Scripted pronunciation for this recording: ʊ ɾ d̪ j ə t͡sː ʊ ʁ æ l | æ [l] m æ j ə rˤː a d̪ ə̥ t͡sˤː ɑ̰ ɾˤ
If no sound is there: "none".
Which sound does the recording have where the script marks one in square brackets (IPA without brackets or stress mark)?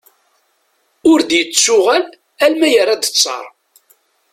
l